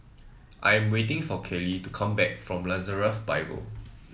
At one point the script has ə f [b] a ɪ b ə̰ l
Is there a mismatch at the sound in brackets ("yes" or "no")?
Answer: no